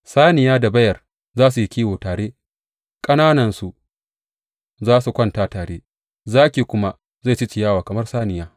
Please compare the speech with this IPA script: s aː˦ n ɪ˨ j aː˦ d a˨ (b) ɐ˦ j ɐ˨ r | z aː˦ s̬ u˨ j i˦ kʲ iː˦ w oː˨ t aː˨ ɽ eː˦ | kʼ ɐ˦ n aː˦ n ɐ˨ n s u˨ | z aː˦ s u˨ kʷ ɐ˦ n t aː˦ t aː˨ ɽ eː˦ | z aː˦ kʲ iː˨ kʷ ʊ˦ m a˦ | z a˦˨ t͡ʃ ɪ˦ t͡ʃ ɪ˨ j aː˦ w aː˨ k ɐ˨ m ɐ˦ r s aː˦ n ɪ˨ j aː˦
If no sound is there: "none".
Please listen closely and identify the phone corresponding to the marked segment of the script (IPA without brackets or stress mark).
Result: b